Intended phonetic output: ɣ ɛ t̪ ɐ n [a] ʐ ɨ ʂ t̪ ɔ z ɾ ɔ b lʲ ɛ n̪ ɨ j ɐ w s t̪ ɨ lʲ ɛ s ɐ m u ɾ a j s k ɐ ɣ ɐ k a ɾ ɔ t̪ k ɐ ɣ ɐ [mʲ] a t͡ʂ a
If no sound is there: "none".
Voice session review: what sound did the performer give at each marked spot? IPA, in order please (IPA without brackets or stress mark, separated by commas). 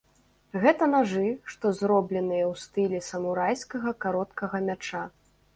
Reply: a, mʲ